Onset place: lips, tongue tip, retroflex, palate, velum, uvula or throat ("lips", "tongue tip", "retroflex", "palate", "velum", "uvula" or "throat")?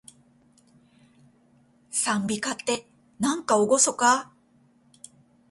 tongue tip